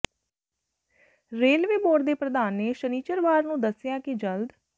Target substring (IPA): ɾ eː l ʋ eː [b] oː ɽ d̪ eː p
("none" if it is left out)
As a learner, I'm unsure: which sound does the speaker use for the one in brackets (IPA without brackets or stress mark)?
b